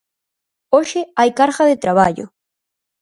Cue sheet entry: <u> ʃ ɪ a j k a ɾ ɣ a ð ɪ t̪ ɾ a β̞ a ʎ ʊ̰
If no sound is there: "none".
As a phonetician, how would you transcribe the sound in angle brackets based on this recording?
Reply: o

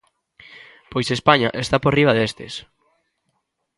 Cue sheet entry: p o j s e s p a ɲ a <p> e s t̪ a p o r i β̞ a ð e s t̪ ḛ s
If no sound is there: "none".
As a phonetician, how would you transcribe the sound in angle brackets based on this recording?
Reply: ʔ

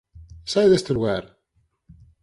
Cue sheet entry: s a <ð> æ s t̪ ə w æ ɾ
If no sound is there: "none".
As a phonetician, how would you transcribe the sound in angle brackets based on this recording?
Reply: ð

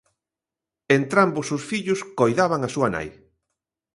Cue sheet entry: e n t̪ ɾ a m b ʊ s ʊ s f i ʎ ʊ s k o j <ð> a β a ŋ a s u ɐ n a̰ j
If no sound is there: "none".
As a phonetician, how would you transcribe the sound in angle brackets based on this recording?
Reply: ð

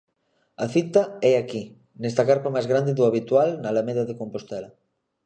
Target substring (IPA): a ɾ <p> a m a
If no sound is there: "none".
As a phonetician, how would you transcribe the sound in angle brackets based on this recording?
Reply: p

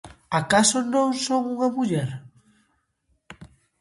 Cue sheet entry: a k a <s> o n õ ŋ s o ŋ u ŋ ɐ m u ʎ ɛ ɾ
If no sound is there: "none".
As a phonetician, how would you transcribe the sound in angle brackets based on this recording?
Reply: s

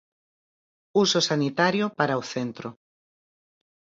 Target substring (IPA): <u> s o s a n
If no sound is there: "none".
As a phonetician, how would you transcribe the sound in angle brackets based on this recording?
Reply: u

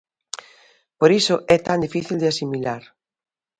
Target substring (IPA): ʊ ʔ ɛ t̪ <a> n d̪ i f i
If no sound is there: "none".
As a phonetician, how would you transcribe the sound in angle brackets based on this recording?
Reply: a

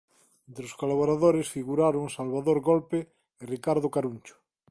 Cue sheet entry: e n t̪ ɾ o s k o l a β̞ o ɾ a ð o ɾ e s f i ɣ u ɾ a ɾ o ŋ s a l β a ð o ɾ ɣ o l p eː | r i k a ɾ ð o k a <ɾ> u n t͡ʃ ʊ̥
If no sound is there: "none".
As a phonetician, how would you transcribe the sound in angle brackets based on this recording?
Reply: ɾ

